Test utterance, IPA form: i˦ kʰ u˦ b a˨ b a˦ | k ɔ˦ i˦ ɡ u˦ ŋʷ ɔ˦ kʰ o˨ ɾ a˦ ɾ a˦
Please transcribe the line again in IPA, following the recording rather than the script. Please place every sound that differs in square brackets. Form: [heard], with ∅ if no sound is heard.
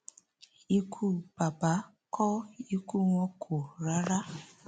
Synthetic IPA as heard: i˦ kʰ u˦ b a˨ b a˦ | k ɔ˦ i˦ [k] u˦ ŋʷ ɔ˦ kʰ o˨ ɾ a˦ ɾ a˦